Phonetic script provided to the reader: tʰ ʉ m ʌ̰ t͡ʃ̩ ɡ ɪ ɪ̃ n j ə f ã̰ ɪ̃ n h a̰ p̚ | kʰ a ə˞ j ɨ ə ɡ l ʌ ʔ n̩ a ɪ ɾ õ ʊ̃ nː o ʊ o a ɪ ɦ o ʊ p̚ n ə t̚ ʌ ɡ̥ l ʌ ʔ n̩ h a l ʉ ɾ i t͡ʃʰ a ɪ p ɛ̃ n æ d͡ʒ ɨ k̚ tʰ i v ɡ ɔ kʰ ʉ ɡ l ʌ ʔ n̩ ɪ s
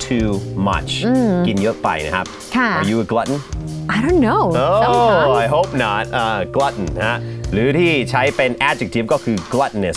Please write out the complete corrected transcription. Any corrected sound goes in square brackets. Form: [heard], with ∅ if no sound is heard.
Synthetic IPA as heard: tʰ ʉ m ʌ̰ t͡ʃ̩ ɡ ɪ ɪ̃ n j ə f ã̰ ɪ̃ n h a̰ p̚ | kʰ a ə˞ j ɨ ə ɡ l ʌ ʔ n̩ a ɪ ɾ õ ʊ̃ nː o ʊ o a ɪ ɦ o ʊ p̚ n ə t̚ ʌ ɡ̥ l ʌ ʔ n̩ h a l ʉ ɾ i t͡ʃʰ a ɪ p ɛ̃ n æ d͡ʒ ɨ k̚ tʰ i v ɡ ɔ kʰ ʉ ɡ l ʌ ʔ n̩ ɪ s